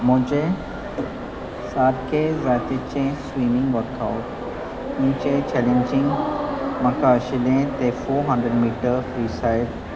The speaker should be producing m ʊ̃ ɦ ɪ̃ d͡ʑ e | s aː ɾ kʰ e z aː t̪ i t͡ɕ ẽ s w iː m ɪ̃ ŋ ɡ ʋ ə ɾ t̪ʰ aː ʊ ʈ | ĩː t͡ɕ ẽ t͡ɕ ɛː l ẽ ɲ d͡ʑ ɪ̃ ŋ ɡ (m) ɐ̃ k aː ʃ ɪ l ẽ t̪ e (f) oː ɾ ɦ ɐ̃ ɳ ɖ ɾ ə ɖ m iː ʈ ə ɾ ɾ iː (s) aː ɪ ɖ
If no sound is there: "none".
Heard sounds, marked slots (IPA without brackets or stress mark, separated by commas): m, f, s